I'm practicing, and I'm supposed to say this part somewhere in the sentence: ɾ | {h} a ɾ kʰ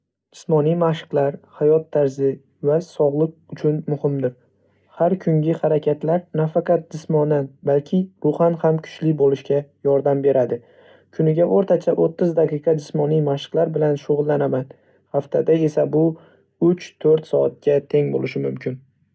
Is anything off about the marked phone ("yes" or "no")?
no